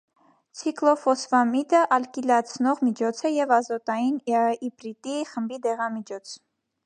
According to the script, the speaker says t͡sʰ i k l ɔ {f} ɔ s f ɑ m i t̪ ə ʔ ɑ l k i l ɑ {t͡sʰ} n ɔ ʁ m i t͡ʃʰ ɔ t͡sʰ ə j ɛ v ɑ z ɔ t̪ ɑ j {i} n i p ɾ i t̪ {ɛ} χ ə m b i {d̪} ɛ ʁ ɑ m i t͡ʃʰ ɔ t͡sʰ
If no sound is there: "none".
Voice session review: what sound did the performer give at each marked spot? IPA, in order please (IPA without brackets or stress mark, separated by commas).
f, t͡sʰ, i, i, d̪